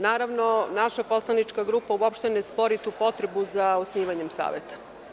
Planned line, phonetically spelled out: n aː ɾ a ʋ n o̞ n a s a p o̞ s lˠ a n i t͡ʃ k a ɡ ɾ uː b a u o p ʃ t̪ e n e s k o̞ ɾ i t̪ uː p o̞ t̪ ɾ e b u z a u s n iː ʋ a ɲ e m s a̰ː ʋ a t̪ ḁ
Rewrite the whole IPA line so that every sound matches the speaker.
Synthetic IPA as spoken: n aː ɾ a ʋ n o̞ n a ʃ a p o̞ s lˠ a n i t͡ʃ k a ɡ ɾ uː p a u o p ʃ t̪ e n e s p o̞ ɾ i t̪ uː p o̞ t̪ ɾ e b u z a o s n iː ʋ a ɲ e m s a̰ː ʋ e t̪ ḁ